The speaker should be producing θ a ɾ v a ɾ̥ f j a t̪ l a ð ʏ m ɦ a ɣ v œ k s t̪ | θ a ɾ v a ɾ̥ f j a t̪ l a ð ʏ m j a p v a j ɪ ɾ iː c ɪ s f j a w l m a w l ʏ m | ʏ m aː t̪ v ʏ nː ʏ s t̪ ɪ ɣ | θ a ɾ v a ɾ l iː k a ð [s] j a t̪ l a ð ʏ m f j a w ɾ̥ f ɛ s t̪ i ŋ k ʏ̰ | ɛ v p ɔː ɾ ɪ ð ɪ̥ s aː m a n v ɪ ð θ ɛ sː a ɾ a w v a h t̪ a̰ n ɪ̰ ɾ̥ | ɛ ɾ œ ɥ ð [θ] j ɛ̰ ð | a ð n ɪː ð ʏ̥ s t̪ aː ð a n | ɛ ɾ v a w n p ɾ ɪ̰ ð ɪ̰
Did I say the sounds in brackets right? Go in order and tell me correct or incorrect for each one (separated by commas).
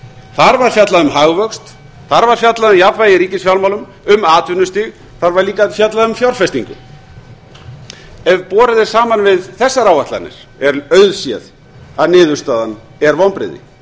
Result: incorrect, incorrect